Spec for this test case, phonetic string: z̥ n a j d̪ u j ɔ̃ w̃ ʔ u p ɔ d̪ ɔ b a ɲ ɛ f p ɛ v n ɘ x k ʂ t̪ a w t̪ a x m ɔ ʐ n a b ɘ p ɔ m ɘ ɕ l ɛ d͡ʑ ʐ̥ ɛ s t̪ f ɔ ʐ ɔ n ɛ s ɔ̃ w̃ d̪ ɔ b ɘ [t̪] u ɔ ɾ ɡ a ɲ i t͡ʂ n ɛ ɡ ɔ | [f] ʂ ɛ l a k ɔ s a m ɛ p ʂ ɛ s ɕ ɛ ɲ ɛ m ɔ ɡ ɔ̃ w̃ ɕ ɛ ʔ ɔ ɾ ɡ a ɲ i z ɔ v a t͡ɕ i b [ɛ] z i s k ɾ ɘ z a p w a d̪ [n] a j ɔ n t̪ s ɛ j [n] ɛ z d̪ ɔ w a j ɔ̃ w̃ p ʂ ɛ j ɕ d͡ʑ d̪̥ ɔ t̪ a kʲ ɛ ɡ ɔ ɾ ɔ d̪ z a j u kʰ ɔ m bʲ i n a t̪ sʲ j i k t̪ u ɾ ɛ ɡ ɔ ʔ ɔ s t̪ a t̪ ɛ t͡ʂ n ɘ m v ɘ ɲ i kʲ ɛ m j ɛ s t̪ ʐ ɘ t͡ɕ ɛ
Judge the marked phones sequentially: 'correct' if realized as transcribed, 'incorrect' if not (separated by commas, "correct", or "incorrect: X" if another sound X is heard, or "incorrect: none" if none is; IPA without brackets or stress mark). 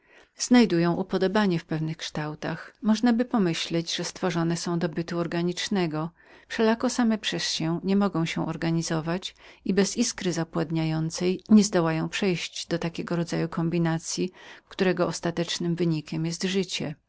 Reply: correct, correct, correct, incorrect: ɲ, incorrect: ɲ